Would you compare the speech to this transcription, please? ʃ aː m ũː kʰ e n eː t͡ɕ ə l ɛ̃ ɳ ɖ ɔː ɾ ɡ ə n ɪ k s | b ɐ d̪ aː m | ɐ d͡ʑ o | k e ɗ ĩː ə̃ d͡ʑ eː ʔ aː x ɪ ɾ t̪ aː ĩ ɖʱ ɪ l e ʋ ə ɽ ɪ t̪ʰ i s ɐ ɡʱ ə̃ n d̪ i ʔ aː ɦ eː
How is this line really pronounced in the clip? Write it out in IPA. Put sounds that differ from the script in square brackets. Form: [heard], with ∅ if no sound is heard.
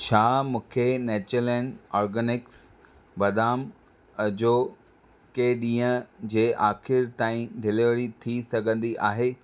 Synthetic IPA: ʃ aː m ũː kʰ e n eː t͡ɕ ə l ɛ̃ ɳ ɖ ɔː ɾ ɡ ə n ɪ k s | b ɐ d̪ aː m | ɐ d͡ʑ o | k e ɗ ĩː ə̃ d͡ʑ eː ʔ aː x ɪ ɾ t̪ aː ĩ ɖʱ ɪ l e ʋ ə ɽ [i] t̪ʰ i s ɐ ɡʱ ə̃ n d̪ i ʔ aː ɦ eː